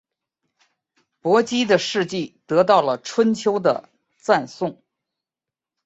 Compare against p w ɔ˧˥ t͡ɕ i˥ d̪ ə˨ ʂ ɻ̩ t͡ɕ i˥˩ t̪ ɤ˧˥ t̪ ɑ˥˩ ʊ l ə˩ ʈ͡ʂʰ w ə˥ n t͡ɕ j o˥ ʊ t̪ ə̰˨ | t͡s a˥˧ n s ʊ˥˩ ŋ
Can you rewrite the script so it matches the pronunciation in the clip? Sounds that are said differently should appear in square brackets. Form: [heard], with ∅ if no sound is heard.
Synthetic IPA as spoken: p w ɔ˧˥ t͡ɕ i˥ d̪ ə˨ ʂ ɻ̩ t͡ɕ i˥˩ t̪ ɤ˧˥ t̪ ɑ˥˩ ʊ l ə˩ ʈ͡ʂʰ w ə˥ n [t͡ɕʰ] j o˥ ʊ [d̪] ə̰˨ | t͡s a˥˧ n s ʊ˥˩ ŋ